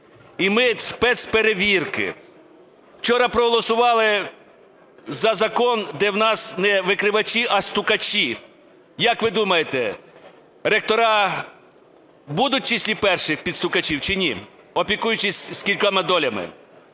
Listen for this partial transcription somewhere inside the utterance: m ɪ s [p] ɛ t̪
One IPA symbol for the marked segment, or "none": p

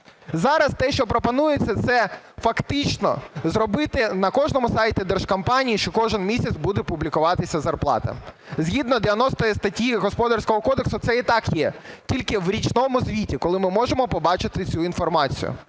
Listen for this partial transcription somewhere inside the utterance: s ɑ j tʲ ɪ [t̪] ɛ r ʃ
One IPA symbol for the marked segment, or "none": d̪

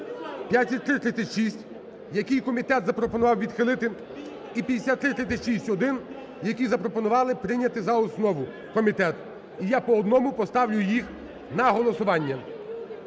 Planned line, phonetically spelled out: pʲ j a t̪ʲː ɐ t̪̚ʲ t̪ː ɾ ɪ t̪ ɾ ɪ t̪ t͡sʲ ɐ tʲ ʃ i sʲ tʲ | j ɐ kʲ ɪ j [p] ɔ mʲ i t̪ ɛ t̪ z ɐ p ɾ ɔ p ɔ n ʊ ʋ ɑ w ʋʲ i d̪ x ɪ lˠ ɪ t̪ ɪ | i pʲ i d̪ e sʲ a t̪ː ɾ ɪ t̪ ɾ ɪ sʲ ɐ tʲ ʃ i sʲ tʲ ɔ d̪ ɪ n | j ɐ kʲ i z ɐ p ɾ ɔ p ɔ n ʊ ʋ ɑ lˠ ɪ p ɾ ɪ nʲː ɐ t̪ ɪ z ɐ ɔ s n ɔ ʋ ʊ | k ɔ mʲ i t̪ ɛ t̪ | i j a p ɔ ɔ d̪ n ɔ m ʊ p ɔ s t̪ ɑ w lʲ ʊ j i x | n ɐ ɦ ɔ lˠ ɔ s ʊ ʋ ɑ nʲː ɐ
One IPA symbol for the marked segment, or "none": k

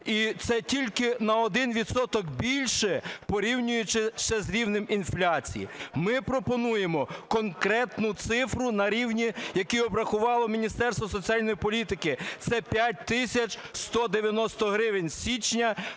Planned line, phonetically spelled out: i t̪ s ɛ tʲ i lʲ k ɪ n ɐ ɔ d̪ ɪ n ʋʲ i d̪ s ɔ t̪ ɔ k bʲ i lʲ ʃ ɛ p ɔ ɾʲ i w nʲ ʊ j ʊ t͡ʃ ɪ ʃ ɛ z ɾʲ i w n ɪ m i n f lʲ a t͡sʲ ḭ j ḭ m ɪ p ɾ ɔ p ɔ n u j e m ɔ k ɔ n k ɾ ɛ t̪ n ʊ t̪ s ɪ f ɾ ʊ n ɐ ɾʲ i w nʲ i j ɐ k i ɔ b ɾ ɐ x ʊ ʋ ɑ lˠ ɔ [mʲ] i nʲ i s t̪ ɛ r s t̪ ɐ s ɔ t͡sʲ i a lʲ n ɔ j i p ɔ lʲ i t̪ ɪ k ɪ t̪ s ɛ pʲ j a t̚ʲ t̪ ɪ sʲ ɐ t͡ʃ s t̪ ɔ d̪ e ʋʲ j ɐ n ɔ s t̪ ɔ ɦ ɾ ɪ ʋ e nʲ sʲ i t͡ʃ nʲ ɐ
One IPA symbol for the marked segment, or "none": mʲ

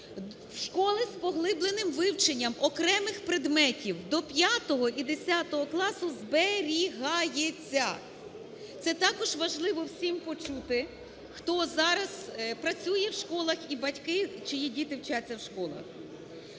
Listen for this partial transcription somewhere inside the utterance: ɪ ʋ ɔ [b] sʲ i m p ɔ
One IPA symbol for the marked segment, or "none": w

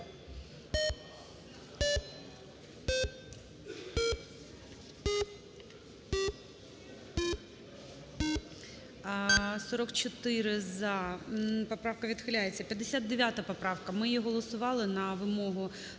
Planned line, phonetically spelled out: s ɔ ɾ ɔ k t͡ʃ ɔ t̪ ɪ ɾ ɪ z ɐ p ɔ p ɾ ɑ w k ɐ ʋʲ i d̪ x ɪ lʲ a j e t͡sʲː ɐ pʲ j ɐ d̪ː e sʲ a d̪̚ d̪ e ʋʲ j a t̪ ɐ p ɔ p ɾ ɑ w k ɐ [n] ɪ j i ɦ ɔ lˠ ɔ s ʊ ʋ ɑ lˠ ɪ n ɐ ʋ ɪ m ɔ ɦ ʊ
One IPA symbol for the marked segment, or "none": m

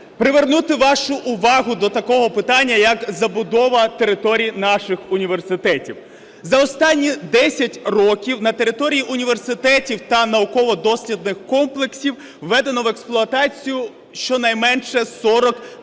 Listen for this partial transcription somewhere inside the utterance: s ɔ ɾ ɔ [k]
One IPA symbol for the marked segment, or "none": k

